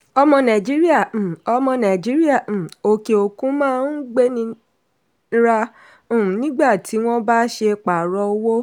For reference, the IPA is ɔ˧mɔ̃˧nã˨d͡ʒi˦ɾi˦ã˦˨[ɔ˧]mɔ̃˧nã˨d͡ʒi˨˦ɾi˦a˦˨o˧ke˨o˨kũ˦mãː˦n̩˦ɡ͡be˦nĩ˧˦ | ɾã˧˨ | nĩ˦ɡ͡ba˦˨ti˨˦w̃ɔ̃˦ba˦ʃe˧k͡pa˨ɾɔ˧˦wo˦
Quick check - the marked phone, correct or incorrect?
correct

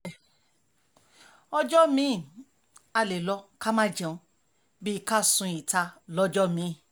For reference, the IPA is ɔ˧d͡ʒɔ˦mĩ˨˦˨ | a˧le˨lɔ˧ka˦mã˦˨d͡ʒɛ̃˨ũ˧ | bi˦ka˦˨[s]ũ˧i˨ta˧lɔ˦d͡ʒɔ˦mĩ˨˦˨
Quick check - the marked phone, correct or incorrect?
correct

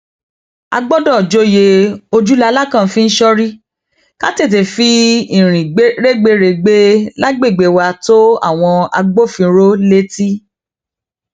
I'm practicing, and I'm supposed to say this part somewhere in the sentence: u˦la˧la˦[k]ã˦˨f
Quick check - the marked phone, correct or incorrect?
correct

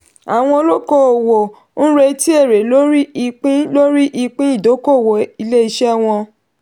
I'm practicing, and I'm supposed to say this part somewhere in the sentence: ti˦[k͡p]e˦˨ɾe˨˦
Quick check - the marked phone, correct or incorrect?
incorrect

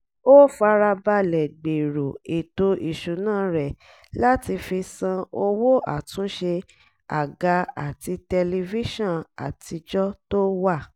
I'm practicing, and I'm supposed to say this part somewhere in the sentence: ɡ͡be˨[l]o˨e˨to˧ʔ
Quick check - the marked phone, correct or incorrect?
incorrect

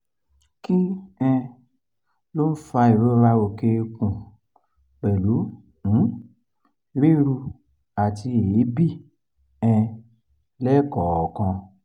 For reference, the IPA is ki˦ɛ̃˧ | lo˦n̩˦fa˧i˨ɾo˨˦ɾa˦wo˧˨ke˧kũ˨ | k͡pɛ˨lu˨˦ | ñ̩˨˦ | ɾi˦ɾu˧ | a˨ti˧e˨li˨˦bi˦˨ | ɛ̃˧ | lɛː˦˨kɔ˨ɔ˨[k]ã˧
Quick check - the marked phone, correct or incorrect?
correct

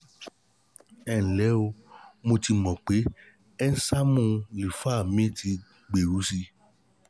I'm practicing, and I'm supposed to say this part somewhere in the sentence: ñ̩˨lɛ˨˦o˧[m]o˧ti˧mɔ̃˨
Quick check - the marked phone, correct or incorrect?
correct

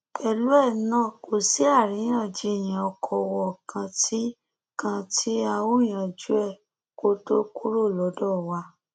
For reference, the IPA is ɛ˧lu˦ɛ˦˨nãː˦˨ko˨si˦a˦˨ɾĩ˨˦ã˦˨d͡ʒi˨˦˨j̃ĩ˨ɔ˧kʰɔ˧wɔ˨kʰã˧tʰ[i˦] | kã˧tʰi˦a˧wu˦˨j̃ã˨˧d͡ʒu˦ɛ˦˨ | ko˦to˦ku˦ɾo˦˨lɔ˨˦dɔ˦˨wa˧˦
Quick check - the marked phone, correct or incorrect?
correct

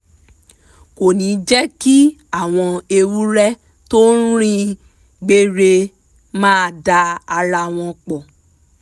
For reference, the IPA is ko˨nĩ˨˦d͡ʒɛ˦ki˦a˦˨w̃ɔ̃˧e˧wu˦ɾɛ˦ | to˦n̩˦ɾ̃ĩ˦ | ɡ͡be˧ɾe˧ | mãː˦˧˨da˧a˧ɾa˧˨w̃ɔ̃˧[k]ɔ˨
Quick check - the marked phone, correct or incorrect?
incorrect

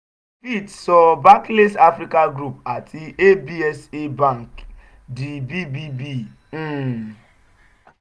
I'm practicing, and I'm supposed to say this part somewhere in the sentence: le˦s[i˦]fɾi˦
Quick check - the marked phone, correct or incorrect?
incorrect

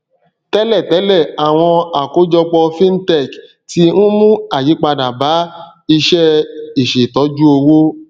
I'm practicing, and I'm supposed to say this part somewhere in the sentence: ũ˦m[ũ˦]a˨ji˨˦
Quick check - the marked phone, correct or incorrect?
correct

